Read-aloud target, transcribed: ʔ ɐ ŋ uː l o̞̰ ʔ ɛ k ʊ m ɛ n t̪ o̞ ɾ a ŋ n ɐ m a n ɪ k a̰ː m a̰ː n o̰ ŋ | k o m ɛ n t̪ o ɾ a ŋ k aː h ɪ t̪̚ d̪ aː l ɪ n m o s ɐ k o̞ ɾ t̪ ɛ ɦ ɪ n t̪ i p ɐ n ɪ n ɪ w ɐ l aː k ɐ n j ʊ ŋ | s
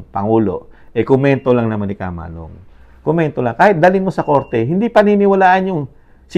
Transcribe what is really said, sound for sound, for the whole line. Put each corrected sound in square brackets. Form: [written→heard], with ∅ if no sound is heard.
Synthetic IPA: [ʔ→p] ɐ ŋ uː l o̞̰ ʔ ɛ k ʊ m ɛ n t̪ o̞ [ɾ→l] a ŋ n ɐ m a n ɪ k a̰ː m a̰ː n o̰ ŋ | k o m ɛ n t̪ o [ɾ→l] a ŋ k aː h ɪ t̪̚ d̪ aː l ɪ n m o s ɐ k o̞ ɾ t̪ ɛ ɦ ɪ n [t̪→d̪] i p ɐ n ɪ n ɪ w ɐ l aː [k→ʔ] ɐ n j ʊ ŋ | s